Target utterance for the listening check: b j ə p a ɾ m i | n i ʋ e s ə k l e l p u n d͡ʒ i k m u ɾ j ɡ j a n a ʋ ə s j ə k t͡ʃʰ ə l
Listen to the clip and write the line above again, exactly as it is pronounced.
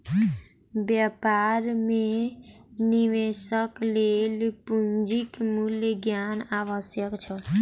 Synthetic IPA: b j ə p a ɾ m e | n i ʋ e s ə k l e l p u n d͡ʒ i k m u l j ɡ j a n a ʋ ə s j ə k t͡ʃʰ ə l

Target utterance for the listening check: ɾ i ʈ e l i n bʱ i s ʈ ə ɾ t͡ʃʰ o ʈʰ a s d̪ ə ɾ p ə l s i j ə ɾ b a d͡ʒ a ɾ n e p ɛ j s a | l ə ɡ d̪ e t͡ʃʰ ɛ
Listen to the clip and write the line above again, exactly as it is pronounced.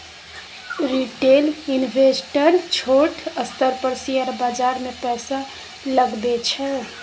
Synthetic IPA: ɾ i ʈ e l i n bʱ e s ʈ ə ɾ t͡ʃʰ o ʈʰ ə s t̪ ə ɾ p ə ɾ s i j ə ɾ b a d͡ʒ a ɾ m e p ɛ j s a | l ə ɡ d̪ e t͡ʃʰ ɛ

